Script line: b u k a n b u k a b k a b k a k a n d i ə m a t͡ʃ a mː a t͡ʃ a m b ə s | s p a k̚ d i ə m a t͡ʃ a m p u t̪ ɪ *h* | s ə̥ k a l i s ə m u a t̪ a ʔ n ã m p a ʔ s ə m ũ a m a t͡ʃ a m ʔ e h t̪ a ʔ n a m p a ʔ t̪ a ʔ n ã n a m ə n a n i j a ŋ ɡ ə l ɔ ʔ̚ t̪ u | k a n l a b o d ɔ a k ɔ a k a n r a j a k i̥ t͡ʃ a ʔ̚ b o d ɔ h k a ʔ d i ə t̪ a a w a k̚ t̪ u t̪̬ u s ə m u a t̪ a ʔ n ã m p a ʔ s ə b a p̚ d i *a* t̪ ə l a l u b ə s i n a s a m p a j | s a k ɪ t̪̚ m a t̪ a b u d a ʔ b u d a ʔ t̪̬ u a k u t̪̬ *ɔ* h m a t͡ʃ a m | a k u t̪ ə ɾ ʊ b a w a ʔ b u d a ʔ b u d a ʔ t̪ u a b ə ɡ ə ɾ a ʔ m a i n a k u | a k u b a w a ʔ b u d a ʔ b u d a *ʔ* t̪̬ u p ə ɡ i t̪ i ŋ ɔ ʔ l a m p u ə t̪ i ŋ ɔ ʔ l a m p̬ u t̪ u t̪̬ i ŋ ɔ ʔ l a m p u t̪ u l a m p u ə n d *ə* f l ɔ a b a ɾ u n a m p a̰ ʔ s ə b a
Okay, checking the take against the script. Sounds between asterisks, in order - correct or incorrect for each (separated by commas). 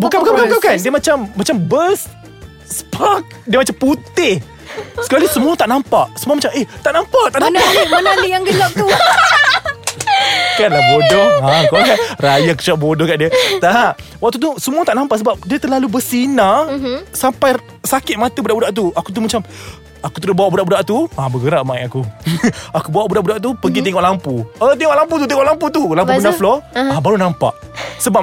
correct, incorrect, incorrect, correct, incorrect